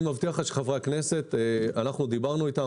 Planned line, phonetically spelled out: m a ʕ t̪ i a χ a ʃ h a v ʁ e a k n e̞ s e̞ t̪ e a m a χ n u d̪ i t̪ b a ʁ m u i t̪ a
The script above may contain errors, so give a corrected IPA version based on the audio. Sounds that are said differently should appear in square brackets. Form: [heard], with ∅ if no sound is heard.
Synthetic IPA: m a [v] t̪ i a χ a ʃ [χ] a v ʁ e a k n e̞ s e̞ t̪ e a [n] a χ n u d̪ i [∅] b a ʁ [n] u i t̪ a

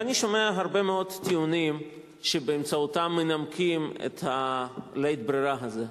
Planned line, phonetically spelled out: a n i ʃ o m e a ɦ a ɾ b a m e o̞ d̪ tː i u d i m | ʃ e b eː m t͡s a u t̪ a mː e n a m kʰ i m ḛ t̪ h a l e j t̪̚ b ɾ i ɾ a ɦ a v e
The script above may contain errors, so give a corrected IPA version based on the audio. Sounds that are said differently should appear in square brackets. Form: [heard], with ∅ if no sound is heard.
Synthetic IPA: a n i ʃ o m e a ɦ a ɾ b [e] m e o̞ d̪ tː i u [n] i m | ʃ e b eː m t͡s a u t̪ a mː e n a m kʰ i m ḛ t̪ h a l e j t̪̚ b ɾ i ɾ a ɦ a [z] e

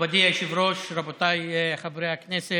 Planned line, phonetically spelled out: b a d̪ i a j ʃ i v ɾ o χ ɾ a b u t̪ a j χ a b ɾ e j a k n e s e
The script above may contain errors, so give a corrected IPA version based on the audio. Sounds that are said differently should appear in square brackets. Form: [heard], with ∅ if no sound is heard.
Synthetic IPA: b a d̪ i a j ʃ i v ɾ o [ʃ] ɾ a b [o] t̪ a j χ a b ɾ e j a k n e s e

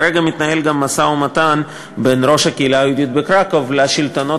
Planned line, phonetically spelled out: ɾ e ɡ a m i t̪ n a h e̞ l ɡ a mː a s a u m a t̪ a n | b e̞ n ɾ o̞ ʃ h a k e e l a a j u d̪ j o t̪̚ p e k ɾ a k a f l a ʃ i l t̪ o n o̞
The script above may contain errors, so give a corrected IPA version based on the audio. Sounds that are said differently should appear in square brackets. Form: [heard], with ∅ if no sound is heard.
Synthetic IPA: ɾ e ɡ a m i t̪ n a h e̞ l ɡ a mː a s a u m a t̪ a n | b e̞ n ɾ o̞ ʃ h a k e [i] l a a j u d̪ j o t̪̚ [b] e k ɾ a k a [v] l a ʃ i l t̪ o n o̞

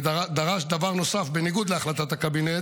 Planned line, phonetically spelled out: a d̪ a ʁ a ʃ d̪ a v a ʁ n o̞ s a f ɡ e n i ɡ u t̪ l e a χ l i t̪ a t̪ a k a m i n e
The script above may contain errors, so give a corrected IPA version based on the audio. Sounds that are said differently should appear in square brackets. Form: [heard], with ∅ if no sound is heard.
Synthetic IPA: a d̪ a ʁ a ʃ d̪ a v a ʁ n o̞ s a f [b] e n i ɡ u [d̪] l e a χ l [a] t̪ a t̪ a k a [b] i n e

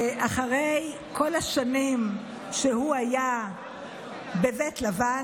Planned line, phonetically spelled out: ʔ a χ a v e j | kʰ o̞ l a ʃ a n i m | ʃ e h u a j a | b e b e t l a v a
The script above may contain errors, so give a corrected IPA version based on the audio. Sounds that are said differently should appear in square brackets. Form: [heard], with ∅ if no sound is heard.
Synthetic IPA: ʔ a χ a [ʁ] e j | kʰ o̞ l a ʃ a n i m | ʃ e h u a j a | b e [v] e t l a v a

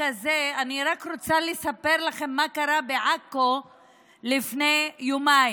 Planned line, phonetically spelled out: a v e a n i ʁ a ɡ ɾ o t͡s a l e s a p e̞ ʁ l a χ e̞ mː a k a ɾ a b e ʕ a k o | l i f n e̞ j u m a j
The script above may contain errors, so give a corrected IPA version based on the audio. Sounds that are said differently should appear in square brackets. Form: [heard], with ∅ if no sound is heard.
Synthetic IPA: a [z] e a n i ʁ a [k] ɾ o t͡s a l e s a p e̞ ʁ l a χ e̞ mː a k a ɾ a b e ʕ a k o | l i f n e̞ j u m a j

